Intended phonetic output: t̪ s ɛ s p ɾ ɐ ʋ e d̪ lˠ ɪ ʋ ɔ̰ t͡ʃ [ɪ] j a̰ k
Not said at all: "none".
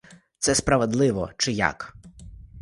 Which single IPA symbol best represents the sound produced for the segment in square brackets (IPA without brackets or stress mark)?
ɪ